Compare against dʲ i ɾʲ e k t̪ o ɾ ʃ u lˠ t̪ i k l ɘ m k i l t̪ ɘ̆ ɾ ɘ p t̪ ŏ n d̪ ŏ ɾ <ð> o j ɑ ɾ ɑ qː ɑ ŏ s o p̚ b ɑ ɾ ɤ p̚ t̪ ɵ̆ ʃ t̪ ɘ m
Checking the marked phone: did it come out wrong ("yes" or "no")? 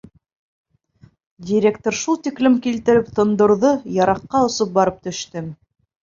no